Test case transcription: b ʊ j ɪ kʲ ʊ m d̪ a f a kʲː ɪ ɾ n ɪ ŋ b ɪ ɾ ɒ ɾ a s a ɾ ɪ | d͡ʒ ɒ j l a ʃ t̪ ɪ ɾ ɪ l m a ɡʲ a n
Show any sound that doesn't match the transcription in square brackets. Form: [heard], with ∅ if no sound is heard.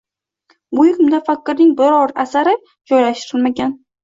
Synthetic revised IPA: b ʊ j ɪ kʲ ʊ m d̪ a f a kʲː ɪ ɾ n ɪ ŋ b ɪ ɾ ɒ ɾ a s a ɾ ɪ | d͡ʒ ɒ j l a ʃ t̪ ɪ ɾ ɪ l m a ɡʲ a n